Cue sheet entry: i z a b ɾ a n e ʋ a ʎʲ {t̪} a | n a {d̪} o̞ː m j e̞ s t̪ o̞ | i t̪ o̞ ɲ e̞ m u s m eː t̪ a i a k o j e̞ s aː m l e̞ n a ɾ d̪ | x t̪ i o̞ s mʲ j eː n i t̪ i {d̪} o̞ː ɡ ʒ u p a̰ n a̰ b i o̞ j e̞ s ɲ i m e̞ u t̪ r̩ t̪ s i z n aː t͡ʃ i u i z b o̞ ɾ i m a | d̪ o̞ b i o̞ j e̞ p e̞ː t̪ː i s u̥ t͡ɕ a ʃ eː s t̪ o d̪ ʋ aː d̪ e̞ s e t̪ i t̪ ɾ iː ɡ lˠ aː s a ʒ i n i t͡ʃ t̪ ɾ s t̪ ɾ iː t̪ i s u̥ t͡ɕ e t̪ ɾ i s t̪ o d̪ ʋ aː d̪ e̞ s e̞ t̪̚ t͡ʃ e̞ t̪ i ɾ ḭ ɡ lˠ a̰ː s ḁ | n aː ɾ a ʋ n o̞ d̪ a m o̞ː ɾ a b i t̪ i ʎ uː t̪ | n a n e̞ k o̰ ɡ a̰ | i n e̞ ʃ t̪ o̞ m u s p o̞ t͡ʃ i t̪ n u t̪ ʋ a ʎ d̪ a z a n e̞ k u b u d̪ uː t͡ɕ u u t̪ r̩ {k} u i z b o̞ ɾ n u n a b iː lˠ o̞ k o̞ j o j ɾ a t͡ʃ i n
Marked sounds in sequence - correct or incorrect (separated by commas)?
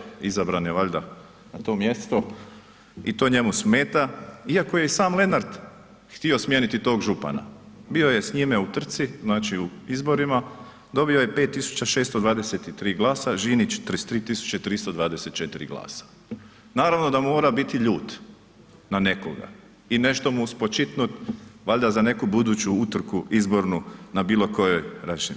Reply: incorrect, incorrect, incorrect, correct